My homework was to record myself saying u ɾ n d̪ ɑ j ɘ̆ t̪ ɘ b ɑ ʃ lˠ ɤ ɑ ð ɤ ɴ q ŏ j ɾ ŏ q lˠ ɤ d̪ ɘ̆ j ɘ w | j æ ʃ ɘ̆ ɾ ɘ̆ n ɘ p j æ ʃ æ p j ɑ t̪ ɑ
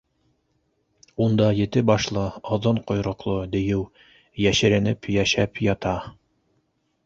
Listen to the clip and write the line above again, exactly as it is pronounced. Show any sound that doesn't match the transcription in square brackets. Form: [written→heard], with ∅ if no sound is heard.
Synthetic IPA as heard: u [ɾ→∅] n d̪ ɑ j ɘ̆ t̪ ɘ b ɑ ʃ lˠ ɤ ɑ ð ɤ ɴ q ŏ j ɾ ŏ q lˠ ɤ d̪ ɘ̆ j ɘ w | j æ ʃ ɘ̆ ɾ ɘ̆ n ɘ p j æ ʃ æ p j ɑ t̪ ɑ